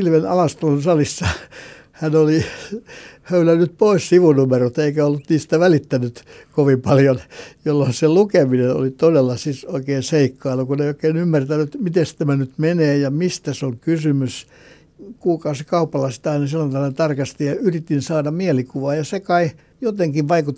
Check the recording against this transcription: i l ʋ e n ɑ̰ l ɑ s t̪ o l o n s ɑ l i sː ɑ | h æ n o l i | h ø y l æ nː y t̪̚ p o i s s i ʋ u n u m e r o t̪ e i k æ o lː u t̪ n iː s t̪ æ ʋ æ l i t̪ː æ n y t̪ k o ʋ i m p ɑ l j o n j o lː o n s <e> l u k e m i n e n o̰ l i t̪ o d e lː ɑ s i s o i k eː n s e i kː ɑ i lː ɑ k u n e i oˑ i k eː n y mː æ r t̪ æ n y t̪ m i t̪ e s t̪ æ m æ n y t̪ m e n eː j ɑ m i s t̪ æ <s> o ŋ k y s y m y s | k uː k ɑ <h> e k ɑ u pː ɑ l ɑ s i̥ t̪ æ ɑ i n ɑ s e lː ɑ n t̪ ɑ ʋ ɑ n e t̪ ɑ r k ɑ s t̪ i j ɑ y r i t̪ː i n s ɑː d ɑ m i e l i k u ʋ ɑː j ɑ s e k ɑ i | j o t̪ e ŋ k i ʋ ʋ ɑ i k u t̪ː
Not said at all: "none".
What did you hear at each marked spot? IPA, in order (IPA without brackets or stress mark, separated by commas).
e, s, s